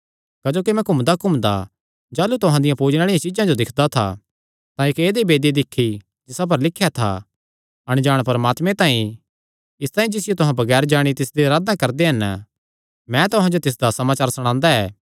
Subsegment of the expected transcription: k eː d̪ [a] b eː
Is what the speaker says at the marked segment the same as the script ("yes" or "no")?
no